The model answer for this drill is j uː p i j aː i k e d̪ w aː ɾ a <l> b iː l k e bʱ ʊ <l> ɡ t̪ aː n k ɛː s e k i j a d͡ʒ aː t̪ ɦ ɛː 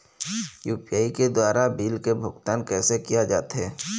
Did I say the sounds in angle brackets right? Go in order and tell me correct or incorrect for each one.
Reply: incorrect, incorrect

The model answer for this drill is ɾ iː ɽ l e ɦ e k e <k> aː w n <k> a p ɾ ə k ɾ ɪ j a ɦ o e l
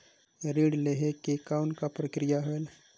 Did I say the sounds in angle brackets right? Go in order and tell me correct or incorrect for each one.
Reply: correct, correct

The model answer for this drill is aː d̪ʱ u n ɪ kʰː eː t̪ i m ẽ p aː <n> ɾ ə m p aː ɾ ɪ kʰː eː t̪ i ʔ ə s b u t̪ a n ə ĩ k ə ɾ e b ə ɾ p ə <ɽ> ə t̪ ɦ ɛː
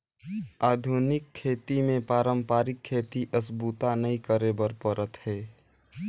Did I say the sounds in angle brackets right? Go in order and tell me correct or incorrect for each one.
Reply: incorrect, incorrect

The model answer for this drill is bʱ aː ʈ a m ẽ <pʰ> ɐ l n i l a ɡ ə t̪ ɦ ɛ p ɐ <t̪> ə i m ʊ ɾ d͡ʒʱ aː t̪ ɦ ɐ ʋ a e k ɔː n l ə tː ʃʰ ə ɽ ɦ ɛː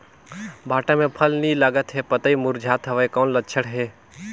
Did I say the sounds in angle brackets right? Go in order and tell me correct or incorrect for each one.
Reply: correct, correct

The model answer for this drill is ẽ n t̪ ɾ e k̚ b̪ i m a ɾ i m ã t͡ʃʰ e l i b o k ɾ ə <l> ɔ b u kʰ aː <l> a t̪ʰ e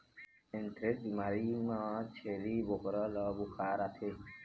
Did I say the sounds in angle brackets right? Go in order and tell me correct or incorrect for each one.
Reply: correct, incorrect

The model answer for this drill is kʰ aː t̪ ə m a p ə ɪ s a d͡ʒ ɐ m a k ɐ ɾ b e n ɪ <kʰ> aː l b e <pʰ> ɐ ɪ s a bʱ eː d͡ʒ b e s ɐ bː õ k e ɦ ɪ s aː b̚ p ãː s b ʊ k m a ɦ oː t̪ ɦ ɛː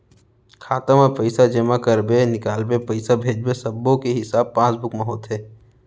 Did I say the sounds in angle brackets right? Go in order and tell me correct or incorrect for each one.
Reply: incorrect, incorrect

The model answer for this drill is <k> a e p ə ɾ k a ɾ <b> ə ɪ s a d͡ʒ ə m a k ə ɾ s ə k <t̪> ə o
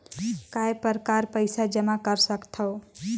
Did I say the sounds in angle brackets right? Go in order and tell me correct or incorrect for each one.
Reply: correct, incorrect, incorrect

